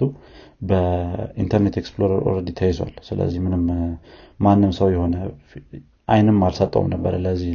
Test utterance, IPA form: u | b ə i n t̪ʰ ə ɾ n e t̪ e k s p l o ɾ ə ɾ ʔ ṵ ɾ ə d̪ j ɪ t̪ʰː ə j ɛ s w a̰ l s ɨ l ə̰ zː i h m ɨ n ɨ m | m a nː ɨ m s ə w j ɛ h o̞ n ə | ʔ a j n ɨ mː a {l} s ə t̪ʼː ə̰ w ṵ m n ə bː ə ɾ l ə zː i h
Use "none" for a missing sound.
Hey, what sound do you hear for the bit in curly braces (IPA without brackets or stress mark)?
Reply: l